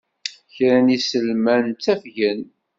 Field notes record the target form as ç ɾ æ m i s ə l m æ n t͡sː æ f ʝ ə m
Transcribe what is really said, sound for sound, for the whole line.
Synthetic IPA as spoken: ç ɾ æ n i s ə l m æ n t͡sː æ f ʝ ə n